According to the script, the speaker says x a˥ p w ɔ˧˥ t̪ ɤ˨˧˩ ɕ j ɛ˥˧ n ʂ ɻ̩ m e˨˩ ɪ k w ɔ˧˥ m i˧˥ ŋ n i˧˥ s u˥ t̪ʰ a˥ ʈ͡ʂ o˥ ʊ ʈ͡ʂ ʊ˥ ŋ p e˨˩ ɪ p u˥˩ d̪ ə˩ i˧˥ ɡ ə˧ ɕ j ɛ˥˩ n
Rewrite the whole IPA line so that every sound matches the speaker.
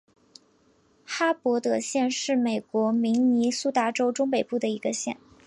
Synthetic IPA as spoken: x a˥ p w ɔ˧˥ t̪ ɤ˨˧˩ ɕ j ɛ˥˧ n ʂ ɻ̩ m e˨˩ ɪ k w ɔ˧˥ m i˧˥ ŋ n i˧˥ s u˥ t̪ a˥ ʈ͡ʂ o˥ ʊ ʈ͡ʂ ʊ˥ ŋ p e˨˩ ɪ p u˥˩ d̪ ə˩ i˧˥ ɡ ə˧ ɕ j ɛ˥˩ n